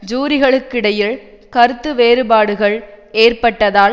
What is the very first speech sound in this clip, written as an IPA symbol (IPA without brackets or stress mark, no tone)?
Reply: d͡ʒ